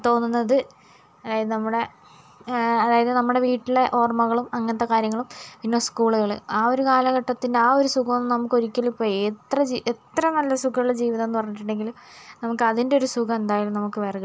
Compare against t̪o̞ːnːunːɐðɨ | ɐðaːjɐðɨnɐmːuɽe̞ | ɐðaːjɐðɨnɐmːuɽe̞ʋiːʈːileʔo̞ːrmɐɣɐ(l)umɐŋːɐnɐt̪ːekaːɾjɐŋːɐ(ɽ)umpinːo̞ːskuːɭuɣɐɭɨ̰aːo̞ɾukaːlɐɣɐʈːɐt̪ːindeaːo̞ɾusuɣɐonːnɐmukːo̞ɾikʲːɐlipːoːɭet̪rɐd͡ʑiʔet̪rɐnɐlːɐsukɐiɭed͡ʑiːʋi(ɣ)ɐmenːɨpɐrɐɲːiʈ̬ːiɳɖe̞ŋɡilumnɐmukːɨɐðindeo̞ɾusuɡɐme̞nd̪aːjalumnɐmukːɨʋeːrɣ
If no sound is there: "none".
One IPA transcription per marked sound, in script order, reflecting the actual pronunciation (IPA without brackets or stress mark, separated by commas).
ɭ, ɭ, ð